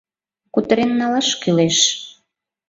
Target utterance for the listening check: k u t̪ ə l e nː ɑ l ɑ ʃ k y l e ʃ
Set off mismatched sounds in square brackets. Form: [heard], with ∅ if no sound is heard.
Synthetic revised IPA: k u t̪ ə [ɾ] e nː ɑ l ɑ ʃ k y l e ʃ